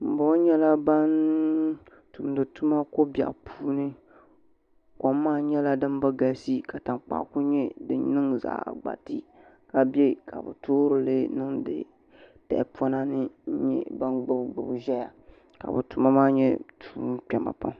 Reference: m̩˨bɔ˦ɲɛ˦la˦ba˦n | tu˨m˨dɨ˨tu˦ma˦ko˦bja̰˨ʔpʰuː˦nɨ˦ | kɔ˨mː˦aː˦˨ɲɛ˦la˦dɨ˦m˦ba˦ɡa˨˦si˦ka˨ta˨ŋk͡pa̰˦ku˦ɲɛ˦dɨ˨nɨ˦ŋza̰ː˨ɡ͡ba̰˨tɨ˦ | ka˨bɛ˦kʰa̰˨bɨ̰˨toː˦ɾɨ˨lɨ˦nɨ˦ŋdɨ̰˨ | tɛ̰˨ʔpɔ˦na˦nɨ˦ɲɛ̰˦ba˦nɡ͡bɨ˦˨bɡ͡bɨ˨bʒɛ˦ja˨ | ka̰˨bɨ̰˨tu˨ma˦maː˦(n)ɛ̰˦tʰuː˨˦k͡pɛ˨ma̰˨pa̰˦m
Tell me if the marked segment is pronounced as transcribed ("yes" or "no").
no